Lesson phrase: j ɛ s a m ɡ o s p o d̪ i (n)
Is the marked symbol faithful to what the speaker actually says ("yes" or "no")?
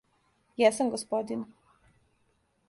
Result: yes